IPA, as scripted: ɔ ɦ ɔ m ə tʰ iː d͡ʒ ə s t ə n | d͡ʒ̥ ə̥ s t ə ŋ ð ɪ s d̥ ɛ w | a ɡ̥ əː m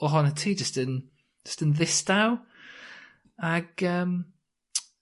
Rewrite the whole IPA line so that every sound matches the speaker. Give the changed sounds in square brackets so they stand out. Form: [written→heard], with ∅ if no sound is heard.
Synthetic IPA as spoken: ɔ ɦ ɔ [m→n] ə tʰ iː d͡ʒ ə s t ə n | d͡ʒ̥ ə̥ s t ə [ŋ→n] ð ɪ s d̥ [ɛ→a] w | a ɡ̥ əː m